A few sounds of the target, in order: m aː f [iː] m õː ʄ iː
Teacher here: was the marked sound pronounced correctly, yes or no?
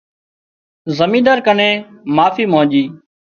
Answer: yes